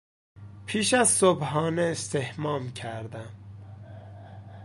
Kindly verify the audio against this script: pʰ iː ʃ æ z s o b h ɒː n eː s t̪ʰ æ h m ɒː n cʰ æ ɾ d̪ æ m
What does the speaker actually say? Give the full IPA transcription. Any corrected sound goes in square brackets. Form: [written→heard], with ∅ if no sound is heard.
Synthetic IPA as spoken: pʰ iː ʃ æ z s o b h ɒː n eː s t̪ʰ [æ→e] h m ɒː [n→m] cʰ æ ɾ d̪ æ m

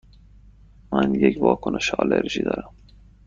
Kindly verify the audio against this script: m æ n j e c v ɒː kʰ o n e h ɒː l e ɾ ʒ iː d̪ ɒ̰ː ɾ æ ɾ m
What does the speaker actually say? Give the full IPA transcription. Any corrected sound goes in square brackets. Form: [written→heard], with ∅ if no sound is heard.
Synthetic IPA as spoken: m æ n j e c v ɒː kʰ o n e [h→ʃ] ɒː l e ɾ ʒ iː d̪ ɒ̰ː ɾ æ [ɾ→∅] m

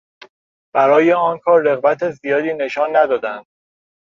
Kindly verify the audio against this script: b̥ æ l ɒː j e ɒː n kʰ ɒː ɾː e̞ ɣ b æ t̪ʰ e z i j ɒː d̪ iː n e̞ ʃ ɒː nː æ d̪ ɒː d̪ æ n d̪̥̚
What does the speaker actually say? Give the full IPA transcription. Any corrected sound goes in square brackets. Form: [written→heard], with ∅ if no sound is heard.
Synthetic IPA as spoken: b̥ æ [l→ɾ] ɒː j e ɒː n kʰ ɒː ɾː e̞ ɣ b æ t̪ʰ e z i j ɒː d̪ iː n e̞ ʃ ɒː nː æ d̪ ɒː d̪ æ n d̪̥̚

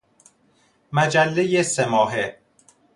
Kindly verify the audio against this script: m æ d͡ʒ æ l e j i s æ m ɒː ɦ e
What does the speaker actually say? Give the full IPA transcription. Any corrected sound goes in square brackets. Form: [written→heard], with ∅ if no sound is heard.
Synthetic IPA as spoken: m æ d͡ʒ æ [l→lː] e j [i→e] s [æ→e] m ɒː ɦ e

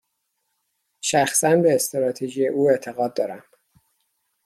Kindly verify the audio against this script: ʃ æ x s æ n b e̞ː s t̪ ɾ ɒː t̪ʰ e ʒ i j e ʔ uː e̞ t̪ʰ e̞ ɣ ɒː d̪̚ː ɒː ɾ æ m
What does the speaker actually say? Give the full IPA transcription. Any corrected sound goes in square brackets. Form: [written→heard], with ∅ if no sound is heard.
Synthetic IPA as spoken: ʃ æ x s æ n b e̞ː s t̪ ɾ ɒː t̪ʰ e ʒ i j e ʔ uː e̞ t̪ʰ e̞ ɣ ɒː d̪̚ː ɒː ɾ æ m

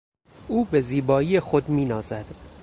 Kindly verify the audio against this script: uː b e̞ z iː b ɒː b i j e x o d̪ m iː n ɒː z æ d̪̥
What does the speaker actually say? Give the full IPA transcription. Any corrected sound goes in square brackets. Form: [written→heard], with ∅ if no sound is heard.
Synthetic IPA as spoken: uː b e̞ z iː b ɒː [b→∅] i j e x o d̪ m iː n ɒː z æ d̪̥

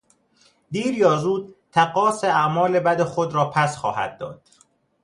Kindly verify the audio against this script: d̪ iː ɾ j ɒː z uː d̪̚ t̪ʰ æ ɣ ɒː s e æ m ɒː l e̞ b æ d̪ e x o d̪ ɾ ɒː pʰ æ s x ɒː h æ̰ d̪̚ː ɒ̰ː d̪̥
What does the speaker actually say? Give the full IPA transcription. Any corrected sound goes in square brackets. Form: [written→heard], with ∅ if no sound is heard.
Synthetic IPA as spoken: d̪ iː ɾ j ɒː z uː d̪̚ t̪ʰ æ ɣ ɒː s e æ m ɒː l e̞ b æ d̪ e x o d̪ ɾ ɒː pʰ æ s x ɒː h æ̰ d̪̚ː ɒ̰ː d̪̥

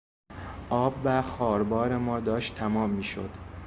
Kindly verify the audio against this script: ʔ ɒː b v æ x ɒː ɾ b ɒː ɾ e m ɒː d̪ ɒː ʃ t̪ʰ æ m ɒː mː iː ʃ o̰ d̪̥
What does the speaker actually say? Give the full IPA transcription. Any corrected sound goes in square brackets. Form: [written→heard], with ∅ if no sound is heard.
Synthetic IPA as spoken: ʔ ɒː b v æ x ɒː ɾ b ɒː ɾ e m ɒː d̪ ɒː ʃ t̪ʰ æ m ɒː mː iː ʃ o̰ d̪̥

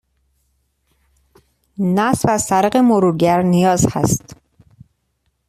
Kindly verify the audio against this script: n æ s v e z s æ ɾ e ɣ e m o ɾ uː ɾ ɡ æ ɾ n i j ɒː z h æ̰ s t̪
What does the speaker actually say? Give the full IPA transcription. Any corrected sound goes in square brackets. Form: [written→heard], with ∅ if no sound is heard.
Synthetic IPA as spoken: n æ s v [e→æ] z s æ ɾ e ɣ e m o ɾ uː ɾ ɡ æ ɾ n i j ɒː z h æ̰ s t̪

